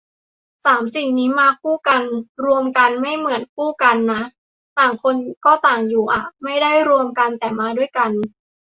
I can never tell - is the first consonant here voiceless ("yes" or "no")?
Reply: yes